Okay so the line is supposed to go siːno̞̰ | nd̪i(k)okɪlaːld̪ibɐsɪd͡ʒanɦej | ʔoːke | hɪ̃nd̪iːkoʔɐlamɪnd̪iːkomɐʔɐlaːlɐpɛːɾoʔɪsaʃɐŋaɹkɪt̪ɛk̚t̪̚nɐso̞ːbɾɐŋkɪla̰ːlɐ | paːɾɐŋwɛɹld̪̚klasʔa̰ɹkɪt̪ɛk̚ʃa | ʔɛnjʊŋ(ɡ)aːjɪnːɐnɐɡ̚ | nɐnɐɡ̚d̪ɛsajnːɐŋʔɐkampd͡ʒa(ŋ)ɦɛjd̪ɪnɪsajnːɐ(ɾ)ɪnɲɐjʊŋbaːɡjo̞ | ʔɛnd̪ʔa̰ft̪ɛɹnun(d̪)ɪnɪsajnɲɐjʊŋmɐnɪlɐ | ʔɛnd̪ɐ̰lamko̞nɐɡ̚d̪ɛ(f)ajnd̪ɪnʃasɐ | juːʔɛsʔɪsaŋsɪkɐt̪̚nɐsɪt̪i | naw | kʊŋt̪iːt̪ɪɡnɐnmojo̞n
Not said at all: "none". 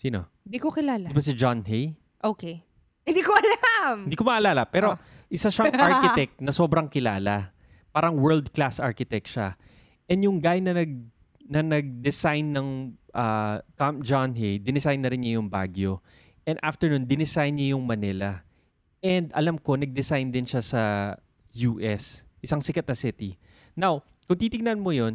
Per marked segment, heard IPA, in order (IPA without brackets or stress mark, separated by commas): k, ɡ, n, ɾ, d̪, s